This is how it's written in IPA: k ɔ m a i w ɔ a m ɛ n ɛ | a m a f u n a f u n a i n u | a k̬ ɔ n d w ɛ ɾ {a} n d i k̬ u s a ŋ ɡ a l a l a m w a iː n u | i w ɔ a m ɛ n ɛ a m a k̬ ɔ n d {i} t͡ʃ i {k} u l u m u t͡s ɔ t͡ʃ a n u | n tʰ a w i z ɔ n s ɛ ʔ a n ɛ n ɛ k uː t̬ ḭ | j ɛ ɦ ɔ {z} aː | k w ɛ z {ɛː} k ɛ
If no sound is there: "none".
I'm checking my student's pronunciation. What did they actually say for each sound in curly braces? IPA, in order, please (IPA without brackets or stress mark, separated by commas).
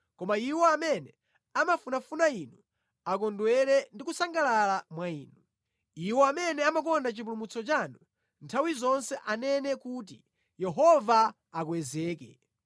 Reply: ɛ, a, p, v, ɛː